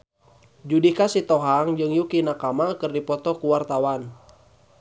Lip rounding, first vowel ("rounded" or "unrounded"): rounded